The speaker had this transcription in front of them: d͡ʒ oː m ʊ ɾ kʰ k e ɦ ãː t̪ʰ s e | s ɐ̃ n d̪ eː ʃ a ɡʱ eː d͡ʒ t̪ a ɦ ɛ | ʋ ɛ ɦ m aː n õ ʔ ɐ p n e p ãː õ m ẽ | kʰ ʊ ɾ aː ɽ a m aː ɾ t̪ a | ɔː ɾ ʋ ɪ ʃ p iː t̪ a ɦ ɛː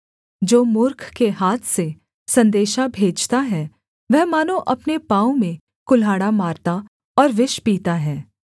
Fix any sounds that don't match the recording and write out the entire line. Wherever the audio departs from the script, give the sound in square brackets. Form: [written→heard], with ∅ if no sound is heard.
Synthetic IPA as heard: d͡ʒ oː m ʊ ɾ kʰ k e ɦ [ãː→aː] t̪ʰ s e | s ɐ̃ n d̪ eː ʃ a [ɡʱ→bʱ] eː d͡ʒ t̪ a ɦ ɛ | ʋ ɛ ɦ m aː n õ ʔ ɐ p n e p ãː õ m ẽ | [kʰ→k] ʊ [ɾ→l] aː ɽ a m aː ɾ t̪ a | ɔː ɾ ʋ ɪ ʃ p iː t̪ a ɦ ɛː